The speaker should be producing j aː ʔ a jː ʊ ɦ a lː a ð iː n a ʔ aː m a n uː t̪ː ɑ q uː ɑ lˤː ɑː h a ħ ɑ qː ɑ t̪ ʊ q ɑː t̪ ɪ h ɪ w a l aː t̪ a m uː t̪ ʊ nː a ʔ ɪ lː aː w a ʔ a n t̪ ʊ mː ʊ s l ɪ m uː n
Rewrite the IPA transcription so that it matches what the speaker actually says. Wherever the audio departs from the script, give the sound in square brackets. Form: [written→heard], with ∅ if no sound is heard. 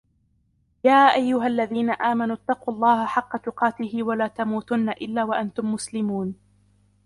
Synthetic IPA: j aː ʔ a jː ʊ ɦ a lː a ð iː n a ʔ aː m a n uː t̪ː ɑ q uː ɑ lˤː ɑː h a ħ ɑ qː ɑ t̪ ʊ q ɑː t̪ ɪ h ɪ w a l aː t̪ a m uː t̪ ʊ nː a ʔ ɪ lː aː w a ʔ a n t̪ ʊ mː ʊ s l ɪ m uː n